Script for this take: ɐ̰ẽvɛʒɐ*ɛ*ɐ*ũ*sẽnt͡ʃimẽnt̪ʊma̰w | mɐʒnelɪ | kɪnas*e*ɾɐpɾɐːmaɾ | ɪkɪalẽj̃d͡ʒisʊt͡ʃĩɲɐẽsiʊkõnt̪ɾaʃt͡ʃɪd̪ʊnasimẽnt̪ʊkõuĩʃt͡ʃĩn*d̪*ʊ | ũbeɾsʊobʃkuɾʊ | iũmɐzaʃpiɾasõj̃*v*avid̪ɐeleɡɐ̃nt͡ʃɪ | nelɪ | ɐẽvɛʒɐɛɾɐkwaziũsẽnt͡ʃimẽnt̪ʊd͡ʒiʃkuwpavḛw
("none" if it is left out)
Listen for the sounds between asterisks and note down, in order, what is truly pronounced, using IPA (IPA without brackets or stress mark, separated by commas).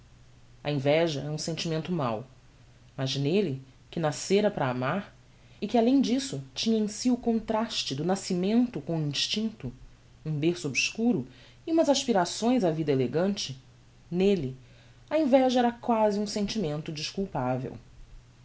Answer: ɛ, ũ, e, t̪, z